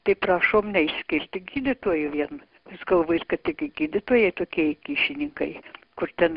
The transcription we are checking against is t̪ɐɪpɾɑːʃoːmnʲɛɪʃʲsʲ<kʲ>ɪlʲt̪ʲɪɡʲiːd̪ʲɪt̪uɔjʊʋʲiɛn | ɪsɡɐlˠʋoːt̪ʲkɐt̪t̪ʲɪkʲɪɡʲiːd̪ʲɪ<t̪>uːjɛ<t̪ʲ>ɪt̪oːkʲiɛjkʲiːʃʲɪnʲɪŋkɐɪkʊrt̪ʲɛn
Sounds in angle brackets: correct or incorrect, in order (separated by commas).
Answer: correct, correct, incorrect